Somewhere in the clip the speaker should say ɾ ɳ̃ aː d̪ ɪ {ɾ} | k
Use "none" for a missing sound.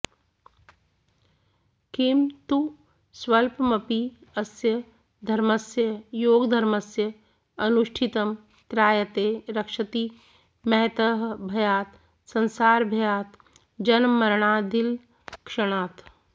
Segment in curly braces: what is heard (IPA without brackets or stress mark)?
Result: l